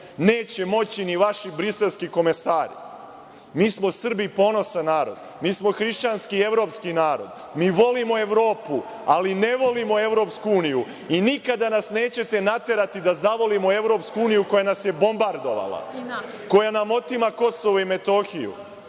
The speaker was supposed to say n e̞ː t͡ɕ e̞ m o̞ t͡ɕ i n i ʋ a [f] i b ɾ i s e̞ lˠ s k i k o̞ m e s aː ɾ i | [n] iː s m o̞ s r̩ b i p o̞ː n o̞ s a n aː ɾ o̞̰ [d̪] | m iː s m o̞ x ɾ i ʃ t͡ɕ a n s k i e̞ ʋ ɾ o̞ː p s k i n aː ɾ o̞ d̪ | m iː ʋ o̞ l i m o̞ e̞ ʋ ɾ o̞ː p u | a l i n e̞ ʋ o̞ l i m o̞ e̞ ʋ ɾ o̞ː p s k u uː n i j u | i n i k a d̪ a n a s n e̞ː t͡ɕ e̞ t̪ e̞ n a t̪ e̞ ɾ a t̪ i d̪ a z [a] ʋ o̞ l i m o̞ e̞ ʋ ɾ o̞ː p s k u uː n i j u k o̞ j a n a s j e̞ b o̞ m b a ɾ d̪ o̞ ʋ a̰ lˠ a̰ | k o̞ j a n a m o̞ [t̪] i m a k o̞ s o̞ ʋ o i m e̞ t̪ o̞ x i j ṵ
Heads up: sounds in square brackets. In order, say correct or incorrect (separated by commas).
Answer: incorrect, incorrect, correct, correct, correct